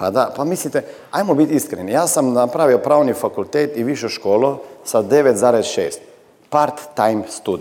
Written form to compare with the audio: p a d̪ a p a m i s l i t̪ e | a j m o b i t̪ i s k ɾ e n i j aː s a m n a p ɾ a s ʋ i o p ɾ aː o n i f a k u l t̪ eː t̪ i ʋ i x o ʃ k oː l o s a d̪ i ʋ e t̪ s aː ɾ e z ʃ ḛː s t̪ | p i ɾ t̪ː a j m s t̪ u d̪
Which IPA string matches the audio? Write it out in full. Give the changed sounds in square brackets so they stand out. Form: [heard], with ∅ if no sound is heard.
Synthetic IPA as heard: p a d̪ a p a m i s l i t̪ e | a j m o b i t̪ i s k ɾ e n i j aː s a m n a p ɾ a [∅] ʋ i o p ɾ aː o n i f a k u l t̪ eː t̪ i ʋ i [ʃ] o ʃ k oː l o s a d̪ [e] ʋ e t̪ [z] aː ɾ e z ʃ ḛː s t̪ | p [a] ɾ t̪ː a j m s t̪ u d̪